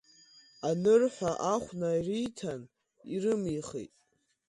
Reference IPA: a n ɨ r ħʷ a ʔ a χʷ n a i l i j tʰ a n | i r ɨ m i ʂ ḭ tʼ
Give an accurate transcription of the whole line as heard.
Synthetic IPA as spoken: a n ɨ r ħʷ a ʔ a χʷ n a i r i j tʰ a n | i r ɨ m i χ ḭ tʼ